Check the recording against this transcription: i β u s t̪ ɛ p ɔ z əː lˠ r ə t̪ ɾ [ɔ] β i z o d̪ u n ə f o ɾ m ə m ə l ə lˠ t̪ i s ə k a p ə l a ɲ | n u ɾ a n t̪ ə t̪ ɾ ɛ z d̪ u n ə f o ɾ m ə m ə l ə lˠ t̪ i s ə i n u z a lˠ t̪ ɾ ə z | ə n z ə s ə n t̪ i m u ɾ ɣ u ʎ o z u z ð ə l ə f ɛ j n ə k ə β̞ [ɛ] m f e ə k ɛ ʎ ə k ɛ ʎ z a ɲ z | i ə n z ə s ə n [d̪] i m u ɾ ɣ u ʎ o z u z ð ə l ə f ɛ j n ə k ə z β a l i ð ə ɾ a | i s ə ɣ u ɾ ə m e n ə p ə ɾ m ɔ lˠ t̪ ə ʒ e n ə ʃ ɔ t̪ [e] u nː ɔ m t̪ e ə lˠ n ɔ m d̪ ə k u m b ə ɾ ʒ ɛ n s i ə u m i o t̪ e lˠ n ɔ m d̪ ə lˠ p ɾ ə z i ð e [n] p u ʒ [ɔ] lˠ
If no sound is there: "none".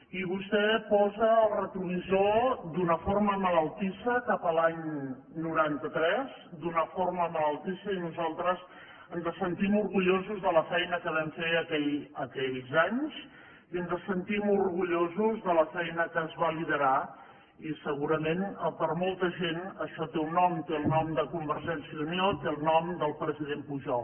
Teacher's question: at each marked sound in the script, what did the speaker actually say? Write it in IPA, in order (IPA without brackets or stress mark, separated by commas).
u, ɛ, t̪, e, m, ɔ